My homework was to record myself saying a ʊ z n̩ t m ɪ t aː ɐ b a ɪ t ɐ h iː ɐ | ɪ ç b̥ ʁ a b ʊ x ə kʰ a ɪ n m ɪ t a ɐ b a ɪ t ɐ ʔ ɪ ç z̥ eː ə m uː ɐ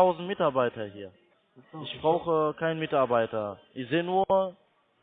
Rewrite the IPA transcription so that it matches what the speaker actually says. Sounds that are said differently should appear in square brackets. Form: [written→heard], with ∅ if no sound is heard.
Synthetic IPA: a ʊ z n̩ t m ɪ t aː ɐ b a ɪ t ɐ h iː ɐ | ɪ ç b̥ ʁ a [b→∅] ʊ x ə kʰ a ɪ n m ɪ t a ɐ b a ɪ t ɐ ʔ ɪ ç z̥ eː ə [m→n] uː ɐ

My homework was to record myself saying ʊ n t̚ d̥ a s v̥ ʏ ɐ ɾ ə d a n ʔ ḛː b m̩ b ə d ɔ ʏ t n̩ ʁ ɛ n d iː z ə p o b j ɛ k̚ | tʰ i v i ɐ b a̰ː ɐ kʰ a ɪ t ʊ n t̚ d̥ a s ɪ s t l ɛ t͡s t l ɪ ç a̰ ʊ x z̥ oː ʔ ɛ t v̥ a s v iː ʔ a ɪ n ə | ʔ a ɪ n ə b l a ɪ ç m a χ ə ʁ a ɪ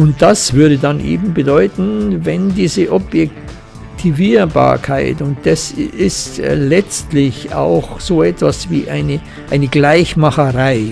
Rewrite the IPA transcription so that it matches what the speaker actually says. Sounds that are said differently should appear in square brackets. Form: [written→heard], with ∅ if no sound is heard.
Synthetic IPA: ʊ n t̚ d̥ a s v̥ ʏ ɐ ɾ ə d a n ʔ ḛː b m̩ b ə d ɔ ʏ t n̩ [ʁ→v] ɛ n d iː z ə [p→ʔ] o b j ɛ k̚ | tʰ i v [i→iː] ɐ b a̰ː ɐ kʰ a ɪ t ʊ n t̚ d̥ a s ɪ s t l ɛ t͡s t l ɪ ç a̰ ʊ x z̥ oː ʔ ɛ t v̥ a s v iː ʔ a ɪ n ə | ʔ a ɪ n ə [b→ɡ] l a ɪ ç m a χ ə ʁ a ɪ

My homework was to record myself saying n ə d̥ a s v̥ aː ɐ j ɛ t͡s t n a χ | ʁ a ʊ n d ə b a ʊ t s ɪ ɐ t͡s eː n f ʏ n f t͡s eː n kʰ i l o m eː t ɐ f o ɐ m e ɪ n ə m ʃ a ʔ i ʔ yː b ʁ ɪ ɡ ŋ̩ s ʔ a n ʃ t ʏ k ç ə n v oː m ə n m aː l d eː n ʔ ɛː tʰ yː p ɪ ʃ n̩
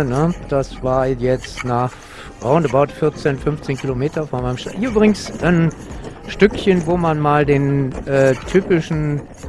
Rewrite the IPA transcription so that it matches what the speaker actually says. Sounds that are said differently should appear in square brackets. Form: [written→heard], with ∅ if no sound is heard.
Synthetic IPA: n ə d̥ a s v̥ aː ɐ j ɛ t͡s t n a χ | ʁ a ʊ n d ə b a ʊ t [s→f] ɪ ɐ t͡s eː n f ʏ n f t͡s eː n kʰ i l o m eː t ɐ f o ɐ m [e→a] ɪ n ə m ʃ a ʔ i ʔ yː b ʁ ɪ ɡ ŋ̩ s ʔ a n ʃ t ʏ k ç ə n v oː m [ə→a] n m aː l d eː n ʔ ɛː tʰ yː p ɪ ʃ n̩

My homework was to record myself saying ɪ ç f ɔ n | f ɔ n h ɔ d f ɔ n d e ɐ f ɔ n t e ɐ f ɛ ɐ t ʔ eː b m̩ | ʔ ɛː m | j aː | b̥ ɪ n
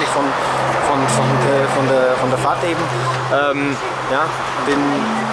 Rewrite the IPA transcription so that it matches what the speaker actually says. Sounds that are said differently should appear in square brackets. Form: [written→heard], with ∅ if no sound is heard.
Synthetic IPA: ɪ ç f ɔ n | f ɔ n [h→f] ɔ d f ɔ n d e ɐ f ɔ n [t→d] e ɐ f [ɛ→a] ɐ t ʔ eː b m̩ | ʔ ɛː m | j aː | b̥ ɪ n

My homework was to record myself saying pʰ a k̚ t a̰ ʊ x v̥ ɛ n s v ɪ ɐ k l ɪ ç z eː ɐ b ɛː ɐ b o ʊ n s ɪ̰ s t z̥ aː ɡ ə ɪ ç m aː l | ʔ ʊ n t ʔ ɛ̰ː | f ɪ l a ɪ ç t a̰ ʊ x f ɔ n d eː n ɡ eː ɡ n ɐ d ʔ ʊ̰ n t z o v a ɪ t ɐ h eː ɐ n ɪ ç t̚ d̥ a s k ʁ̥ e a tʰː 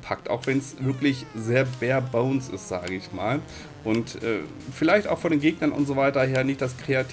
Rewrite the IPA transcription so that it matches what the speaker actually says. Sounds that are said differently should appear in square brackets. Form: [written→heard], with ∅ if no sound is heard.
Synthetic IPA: pʰ a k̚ t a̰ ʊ x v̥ ɛ n s v ɪ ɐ k l ɪ ç z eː ɐ b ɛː ɐ b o ʊ n s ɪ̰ s t z̥ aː ɡ ə ɪ ç m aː l | ʔ ʊ n t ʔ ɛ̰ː | f ɪ l a ɪ ç t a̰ ʊ x f ɔ n d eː n ɡ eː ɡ n ɐ [d→n] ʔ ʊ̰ n t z o v a ɪ t ɐ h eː ɐ n ɪ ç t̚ d̥ a s k ʁ̥ e a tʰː

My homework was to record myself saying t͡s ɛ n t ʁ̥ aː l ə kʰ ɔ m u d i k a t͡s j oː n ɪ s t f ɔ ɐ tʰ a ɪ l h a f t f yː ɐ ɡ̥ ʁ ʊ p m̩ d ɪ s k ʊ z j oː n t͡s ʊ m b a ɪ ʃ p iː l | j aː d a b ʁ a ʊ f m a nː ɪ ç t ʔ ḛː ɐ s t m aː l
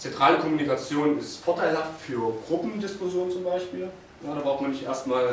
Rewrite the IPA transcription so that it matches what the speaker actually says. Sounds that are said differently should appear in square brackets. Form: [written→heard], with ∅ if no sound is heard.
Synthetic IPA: t͡s ɛ n t ʁ̥ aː l ə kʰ ɔ m u [d→n] i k a t͡s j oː n ɪ s t f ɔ ɐ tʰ a ɪ l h a f t f yː ɐ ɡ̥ ʁ ʊ p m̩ d ɪ s k ʊ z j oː n t͡s ʊ m b a ɪ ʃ p iː l | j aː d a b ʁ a ʊ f m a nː ɪ ç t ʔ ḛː ɐ s t m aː l

